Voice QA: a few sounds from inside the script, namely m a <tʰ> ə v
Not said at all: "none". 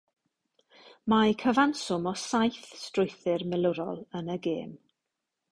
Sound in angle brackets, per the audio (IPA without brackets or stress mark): kʰ